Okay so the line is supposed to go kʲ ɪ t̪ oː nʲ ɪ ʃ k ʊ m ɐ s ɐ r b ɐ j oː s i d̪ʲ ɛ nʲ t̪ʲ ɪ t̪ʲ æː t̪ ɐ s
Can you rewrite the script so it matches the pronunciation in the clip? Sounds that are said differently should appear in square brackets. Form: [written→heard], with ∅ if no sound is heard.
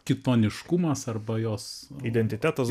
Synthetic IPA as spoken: kʲ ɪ t̪ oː nʲ ɪ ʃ k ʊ m ɐ s ɐ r b ɐ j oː s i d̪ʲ ɛ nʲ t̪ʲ ɪ t̪ʲ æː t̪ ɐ s